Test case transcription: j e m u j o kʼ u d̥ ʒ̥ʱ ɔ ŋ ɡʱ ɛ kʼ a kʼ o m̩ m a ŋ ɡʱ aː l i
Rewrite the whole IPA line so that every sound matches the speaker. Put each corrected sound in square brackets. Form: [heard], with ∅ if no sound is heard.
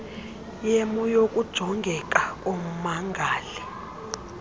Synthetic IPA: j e m u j o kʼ u d̥ ʒ̥ʱ ɔ ŋ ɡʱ ɛ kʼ a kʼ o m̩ m a ŋ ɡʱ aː l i

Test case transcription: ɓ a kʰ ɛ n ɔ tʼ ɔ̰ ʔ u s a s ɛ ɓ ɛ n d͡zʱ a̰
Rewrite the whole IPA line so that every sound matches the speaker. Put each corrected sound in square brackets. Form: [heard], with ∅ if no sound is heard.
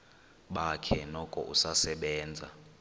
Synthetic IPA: ɓ a kʰ ɛ n ɔ [kʼ] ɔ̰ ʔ u s a s ɛ ɓ [ɛː] n d͡zʱ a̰

